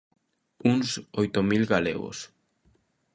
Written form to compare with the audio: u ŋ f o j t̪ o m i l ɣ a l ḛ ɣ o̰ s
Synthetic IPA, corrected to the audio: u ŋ s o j t̪ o m i l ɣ a l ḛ ɣ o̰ s